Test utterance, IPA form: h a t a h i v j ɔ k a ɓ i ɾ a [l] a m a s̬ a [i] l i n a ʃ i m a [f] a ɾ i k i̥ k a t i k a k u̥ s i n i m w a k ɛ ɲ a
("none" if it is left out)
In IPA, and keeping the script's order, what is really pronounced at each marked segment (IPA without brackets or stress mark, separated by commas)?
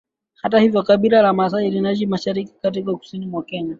l, i, ʃ